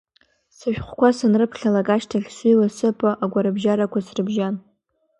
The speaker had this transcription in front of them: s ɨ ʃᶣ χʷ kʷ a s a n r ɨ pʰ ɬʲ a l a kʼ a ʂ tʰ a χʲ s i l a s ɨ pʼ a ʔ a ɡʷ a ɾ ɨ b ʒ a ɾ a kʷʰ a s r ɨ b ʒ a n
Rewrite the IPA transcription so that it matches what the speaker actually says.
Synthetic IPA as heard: s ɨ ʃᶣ χʷ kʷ a s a n r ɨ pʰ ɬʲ a l a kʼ a ʃ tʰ a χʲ s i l a s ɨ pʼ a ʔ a ɡʷ a ɾ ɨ b ʒ a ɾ a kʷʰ a s r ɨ b ʒ a n

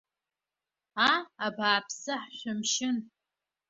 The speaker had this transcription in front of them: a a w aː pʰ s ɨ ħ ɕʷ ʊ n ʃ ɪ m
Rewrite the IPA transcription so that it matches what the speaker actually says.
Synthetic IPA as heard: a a b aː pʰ s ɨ ħ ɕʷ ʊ m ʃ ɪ n

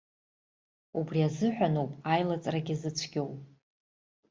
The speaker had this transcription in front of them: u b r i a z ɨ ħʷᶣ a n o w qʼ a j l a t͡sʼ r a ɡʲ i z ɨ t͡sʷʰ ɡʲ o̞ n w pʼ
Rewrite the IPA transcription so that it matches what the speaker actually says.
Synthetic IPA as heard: u b r i a z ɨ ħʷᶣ a n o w pʼ a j l a t͡sʼ r a ɡʲ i z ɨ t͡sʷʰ ɡʲ o̞ w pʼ

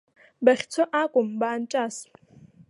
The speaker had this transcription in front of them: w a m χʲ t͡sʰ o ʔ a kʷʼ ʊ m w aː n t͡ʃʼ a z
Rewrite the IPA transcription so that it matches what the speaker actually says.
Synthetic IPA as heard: b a χʲ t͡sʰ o ʔ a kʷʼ ʊ m b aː n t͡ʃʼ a s

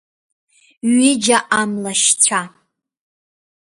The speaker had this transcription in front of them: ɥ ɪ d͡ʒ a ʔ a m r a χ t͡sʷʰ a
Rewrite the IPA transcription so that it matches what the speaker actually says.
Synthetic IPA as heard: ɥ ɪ d͡ʒ a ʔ a m l a ʃ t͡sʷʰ a

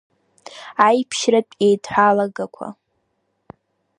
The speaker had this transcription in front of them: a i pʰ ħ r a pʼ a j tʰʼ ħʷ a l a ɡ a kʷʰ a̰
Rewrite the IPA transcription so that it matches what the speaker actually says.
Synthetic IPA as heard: a j pʰ ʃ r a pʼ e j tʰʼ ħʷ a l a ɡ a kʷʰ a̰

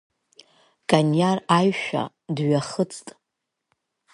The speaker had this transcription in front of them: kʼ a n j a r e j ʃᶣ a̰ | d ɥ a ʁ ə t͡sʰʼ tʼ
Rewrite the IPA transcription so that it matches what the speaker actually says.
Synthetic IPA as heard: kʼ a n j a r a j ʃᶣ a̰ | d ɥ a χ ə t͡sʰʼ tʼ

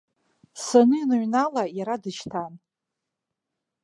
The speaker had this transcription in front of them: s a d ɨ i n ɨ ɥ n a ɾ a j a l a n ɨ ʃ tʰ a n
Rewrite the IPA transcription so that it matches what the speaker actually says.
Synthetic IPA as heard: s a n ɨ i n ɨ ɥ n a l a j a ɾ a d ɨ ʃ tʰ a n

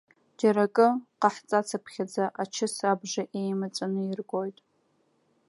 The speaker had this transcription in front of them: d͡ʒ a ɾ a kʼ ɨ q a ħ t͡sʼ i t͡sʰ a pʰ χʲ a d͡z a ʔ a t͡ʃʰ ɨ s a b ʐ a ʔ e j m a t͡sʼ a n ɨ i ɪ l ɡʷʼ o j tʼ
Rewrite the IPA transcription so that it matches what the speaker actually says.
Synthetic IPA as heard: d͡ʒ a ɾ a kʼ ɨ q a ħ t͡sʼ a t͡sʰ a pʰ χʲ a d͡z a ʔ a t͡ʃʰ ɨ s a b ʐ a ʔ e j m a t͡sʼ a n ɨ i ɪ r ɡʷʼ o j tʼ

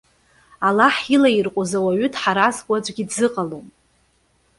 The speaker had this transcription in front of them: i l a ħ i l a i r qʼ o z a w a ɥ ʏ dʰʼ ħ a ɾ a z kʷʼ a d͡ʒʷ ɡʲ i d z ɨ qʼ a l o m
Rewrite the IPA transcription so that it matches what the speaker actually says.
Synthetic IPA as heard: a l a ħ i l a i r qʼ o z a w a ɥ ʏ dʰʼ ħ a ɾ a z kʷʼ a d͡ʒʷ ɡʲ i d z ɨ qʼ a l o m

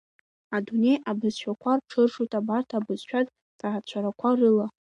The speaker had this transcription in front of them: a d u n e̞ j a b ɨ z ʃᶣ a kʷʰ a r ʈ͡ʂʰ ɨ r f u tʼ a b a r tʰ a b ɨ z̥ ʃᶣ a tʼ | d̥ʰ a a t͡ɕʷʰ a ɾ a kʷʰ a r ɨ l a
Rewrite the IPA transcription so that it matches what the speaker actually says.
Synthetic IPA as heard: a d u n e̞ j a b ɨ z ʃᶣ a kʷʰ a r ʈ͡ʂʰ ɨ r ʂ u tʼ a b a r tʰ a b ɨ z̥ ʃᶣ a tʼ | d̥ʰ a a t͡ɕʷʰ a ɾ a kʷʰ a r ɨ l a

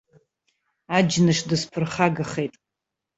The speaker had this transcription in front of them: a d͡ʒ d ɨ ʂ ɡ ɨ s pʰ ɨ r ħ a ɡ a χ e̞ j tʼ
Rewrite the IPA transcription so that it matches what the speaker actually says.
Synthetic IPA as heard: a d͡ʒ n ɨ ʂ d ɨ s pʰ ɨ r χ a ɡ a χ e̞ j tʼ

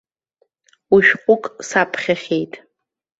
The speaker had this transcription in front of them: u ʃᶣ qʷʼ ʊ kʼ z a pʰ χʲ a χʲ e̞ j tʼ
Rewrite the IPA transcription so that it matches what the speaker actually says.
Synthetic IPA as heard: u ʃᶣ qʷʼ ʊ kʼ s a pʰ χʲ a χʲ e̞ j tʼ

